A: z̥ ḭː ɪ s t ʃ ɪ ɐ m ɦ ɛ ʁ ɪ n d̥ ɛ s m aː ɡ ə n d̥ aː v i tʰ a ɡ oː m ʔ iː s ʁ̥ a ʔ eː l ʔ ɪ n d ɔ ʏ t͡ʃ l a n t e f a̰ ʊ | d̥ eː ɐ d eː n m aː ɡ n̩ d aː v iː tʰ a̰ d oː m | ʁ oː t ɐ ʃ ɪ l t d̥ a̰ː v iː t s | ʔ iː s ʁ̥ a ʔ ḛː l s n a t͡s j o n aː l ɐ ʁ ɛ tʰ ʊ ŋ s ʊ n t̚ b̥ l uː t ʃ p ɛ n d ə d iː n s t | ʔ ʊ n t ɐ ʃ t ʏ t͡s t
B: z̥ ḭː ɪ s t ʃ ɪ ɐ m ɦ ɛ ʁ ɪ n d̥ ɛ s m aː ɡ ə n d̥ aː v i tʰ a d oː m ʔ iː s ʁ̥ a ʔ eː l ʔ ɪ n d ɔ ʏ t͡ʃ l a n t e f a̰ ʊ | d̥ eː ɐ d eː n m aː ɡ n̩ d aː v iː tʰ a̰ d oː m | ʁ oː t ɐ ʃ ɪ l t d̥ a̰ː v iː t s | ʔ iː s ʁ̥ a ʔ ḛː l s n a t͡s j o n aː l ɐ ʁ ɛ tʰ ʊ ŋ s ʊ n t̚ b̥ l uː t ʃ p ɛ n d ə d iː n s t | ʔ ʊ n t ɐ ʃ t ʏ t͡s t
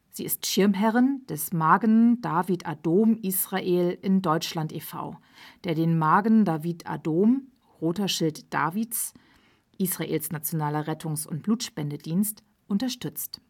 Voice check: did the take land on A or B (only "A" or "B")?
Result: B